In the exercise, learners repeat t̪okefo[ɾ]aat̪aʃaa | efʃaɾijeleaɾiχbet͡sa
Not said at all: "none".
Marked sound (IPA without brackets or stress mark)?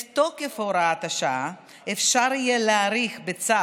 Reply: ɾ